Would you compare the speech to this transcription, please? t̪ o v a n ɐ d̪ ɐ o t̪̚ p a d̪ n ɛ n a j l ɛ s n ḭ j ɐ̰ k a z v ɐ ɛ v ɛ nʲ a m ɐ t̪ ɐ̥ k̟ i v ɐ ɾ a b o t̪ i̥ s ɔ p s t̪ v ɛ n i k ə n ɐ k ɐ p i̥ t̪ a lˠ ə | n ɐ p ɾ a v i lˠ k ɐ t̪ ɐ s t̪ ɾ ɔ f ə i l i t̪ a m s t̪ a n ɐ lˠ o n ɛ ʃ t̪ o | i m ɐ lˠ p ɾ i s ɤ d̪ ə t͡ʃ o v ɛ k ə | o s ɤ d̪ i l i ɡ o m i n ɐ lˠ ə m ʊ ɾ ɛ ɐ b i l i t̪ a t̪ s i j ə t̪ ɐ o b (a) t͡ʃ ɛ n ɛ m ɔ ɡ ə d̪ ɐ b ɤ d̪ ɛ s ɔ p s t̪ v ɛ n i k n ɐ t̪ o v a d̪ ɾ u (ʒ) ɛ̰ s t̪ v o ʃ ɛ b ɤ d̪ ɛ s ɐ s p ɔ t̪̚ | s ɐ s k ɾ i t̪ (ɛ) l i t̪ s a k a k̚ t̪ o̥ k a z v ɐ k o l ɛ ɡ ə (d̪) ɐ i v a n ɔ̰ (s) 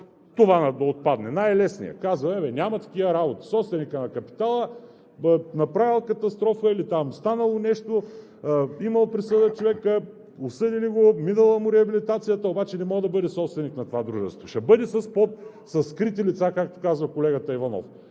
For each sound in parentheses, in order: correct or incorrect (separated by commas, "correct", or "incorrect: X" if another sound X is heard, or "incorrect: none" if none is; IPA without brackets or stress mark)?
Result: correct, correct, incorrect: i, incorrect: t̪, incorrect: f